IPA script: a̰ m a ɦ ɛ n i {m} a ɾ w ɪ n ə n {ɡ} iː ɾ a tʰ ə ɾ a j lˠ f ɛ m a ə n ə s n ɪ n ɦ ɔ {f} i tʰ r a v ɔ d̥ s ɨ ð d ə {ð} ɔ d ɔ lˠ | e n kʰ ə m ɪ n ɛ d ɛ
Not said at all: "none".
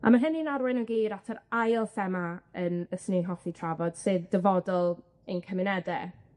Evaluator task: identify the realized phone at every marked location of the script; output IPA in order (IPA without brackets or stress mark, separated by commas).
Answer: n, ɡ, θ, v